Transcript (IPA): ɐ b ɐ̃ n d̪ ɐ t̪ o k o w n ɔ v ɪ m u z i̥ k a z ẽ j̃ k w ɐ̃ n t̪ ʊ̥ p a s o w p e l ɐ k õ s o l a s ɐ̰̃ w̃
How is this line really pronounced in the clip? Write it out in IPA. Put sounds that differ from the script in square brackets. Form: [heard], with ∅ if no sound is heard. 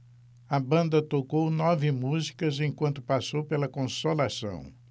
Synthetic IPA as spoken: ɐ b ɐ̃ n d̪ ɐ t̪ o k o w n ɔ v ɪ m u z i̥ k [ɐ] z ẽ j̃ k w ɐ̃ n t̪ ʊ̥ p a s o w p e l ɐ k õ s o l a s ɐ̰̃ w̃